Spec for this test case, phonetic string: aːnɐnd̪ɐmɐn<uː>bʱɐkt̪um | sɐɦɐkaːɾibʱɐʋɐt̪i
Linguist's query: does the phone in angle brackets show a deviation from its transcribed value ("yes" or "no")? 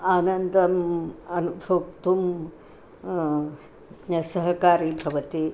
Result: yes